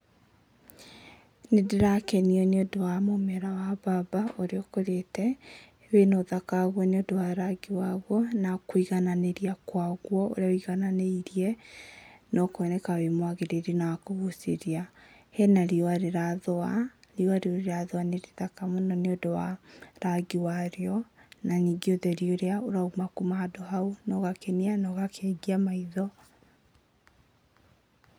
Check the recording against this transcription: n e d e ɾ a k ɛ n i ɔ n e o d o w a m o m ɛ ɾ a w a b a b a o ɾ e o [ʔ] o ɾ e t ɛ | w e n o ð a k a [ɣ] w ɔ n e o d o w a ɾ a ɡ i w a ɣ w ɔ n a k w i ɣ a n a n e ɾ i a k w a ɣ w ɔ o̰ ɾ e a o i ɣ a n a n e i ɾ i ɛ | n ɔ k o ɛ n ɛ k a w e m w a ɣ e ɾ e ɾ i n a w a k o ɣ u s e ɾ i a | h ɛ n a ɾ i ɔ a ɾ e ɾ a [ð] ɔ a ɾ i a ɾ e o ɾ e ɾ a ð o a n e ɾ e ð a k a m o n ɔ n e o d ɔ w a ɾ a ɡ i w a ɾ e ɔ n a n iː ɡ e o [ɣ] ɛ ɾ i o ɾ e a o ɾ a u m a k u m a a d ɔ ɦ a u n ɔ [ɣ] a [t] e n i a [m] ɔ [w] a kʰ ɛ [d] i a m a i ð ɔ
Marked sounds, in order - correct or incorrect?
incorrect, correct, correct, incorrect, correct, incorrect, incorrect, incorrect, incorrect

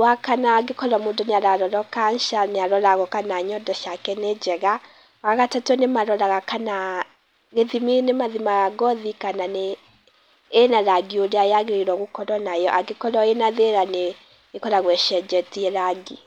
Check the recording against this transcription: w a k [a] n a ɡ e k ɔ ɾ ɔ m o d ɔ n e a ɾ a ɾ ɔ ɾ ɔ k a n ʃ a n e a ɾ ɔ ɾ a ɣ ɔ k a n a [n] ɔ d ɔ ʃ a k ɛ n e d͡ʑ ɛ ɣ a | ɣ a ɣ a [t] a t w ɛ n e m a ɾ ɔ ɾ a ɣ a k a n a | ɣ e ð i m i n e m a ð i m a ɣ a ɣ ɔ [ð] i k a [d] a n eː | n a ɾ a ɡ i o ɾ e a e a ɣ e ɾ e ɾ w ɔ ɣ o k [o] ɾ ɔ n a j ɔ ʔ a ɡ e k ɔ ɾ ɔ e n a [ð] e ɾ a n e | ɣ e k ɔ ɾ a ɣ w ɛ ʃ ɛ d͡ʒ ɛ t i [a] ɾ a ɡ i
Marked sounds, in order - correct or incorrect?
correct, incorrect, correct, correct, incorrect, incorrect, correct, incorrect

